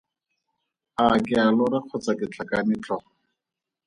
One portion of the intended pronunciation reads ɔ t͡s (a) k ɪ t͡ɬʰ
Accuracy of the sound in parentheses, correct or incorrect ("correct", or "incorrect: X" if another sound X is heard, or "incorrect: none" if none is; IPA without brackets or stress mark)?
correct